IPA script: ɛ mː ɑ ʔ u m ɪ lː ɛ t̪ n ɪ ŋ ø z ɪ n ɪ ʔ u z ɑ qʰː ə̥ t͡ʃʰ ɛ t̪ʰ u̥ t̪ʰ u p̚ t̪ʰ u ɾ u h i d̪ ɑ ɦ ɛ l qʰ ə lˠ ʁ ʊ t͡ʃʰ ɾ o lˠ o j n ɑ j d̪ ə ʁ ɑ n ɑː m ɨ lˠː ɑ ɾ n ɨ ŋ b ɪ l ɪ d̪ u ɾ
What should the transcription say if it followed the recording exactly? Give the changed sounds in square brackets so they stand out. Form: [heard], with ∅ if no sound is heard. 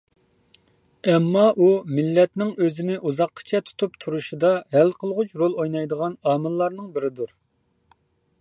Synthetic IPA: ɛ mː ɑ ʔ u m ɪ lː ɛ t̪ n ɪ ŋ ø z ɪ n ɪ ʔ u z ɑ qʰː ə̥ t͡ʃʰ ɛ t̪ʰ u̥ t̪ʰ u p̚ t̪ʰ u ɾ u [ʃ] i d̪ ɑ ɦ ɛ l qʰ ə lˠ ʁ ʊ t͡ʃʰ ɾ o lˠ o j n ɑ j d̪ ə ʁ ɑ n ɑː m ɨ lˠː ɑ ɾ n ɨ ŋ b ɪ [ɾ] ɪ d̪ u ɾ